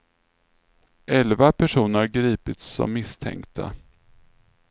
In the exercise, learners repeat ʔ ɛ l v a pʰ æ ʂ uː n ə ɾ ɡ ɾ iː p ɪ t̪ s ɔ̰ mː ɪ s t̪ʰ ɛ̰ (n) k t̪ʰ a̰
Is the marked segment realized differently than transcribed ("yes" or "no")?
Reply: yes